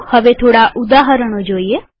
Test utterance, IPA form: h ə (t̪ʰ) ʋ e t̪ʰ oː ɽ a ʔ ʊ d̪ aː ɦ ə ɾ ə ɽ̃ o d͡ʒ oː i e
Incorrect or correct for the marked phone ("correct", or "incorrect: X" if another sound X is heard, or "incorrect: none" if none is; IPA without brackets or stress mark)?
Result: incorrect: none